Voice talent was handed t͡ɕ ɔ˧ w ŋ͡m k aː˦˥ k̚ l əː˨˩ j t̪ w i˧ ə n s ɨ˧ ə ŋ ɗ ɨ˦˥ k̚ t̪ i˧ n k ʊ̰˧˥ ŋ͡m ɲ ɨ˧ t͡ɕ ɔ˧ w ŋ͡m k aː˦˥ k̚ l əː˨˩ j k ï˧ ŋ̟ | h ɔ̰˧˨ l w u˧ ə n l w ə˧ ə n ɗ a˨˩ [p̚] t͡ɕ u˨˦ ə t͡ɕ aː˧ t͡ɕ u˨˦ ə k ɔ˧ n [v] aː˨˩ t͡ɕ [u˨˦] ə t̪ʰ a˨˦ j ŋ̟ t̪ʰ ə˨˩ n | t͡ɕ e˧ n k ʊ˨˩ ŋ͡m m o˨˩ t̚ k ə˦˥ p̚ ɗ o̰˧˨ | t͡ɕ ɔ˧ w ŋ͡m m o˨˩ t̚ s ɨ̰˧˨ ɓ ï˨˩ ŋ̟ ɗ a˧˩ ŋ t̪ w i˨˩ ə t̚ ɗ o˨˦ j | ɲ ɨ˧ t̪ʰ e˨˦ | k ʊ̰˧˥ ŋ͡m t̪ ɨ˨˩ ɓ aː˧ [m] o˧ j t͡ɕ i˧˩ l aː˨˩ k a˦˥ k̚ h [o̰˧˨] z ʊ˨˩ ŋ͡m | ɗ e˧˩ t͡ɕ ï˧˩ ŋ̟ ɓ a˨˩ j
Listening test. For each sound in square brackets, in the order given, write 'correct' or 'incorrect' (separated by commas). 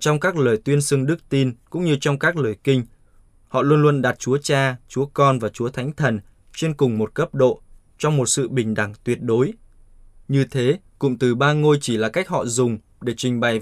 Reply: incorrect, correct, correct, incorrect, incorrect